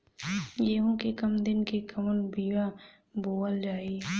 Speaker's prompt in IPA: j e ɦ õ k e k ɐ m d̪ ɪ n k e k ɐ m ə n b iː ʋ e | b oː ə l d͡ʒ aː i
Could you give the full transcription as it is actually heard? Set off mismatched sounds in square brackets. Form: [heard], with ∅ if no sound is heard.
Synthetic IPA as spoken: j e ɦ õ k e k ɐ m d̪ ɪ n k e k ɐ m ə n b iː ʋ [a] | b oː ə l d͡ʒ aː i